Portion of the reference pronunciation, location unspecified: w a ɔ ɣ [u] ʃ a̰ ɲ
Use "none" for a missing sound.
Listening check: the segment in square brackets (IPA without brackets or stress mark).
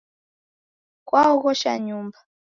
ɔ